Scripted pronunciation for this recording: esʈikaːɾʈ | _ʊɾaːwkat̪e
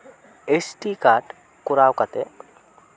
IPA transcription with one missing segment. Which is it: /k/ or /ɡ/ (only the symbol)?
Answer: k